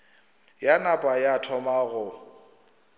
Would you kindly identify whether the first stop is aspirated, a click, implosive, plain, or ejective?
ejective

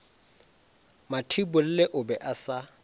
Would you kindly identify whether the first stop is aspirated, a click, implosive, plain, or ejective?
aspirated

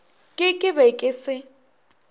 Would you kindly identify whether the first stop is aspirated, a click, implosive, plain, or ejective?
ejective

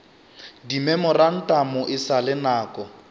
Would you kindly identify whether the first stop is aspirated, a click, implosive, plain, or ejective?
plain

